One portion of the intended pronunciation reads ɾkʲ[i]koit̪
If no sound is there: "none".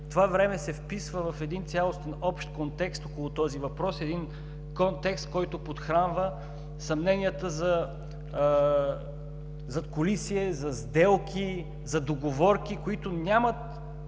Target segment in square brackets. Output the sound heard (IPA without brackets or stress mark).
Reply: i